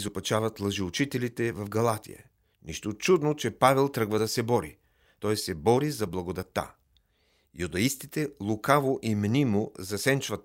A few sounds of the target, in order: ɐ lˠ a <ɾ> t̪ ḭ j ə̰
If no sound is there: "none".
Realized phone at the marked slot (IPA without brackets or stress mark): none